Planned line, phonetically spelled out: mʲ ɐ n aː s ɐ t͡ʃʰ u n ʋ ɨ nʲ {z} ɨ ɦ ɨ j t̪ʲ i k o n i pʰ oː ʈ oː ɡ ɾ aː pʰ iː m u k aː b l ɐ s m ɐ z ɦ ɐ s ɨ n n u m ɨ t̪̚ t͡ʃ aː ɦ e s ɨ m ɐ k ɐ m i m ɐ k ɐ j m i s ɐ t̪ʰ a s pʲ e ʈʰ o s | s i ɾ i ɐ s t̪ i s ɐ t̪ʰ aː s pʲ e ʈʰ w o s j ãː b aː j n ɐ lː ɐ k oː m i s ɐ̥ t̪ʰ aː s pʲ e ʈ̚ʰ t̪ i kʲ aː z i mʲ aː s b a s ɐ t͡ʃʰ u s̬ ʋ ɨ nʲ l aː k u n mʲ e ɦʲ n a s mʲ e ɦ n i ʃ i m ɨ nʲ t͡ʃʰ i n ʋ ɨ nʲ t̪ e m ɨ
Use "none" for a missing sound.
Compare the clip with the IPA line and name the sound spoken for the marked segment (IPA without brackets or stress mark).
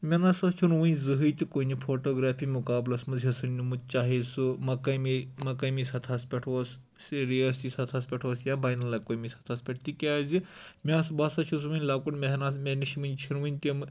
z